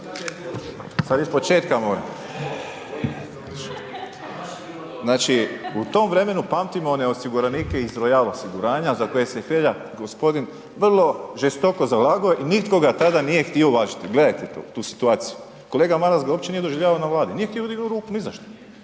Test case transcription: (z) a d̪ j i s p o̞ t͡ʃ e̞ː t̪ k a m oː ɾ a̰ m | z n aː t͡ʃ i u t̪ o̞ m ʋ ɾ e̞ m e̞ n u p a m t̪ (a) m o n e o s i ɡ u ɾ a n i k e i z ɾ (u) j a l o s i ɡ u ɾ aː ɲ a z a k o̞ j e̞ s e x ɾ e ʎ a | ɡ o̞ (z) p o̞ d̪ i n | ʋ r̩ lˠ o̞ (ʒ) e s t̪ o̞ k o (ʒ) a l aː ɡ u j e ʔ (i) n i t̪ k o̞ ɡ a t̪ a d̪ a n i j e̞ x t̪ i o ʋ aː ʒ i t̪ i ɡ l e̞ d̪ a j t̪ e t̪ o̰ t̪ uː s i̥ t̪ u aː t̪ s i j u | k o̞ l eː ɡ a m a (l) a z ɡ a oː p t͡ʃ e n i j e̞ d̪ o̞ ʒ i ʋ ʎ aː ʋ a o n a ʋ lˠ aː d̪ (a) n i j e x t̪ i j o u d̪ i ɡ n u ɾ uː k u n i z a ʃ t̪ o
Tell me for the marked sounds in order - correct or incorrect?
incorrect, incorrect, incorrect, incorrect, correct, incorrect, correct, incorrect, incorrect

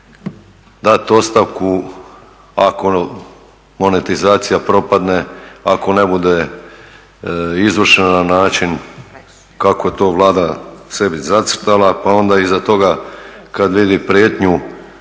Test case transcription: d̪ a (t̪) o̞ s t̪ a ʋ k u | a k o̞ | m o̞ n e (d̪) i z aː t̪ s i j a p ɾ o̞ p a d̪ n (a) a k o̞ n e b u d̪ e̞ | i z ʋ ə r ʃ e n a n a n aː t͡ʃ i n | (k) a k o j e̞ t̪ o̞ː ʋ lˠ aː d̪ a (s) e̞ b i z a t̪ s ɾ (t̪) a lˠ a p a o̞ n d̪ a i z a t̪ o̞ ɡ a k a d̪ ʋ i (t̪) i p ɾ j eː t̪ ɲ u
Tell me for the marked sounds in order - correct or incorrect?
correct, incorrect, incorrect, correct, correct, correct, incorrect

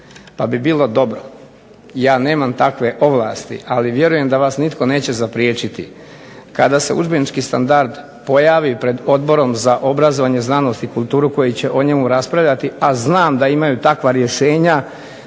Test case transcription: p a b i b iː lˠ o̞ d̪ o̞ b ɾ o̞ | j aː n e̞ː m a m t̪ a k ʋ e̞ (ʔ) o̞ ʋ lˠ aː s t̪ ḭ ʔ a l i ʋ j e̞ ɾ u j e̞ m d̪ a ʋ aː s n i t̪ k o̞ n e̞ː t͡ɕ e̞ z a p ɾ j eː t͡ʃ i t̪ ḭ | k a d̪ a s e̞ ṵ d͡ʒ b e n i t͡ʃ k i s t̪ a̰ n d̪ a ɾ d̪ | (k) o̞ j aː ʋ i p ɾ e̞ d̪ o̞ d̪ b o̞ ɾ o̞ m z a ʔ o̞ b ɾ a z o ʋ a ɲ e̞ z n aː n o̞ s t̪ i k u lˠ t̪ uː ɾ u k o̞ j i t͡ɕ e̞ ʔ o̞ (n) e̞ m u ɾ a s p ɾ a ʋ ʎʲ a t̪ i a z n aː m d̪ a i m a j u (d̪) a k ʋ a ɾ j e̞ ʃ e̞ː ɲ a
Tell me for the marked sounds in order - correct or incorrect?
correct, incorrect, incorrect, incorrect

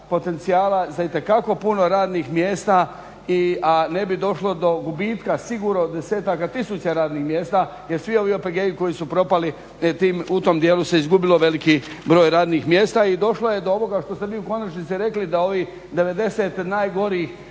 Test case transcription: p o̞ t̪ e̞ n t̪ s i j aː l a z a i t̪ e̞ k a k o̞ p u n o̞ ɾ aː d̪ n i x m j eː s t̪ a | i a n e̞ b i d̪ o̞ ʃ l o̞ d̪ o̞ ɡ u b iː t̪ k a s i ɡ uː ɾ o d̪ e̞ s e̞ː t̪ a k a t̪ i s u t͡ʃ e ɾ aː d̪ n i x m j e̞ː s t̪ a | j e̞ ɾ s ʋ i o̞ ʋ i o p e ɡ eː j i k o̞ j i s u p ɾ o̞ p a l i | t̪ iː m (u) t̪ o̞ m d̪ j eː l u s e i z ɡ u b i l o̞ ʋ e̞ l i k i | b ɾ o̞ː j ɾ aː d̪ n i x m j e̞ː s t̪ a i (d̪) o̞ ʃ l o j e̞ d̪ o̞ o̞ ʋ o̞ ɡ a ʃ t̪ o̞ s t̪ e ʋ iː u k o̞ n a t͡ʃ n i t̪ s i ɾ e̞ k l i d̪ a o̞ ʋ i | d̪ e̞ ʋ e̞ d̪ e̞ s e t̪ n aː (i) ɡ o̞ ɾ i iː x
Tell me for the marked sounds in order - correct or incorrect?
correct, correct, incorrect

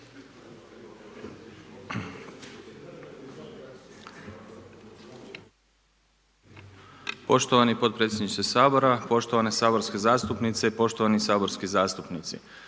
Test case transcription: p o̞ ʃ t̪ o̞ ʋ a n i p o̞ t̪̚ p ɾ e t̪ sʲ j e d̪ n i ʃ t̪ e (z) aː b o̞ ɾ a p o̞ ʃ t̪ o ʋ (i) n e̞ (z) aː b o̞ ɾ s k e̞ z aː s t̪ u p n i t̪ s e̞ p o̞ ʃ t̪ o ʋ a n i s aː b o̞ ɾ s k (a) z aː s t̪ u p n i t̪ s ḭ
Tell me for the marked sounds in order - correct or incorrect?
incorrect, incorrect, incorrect, incorrect

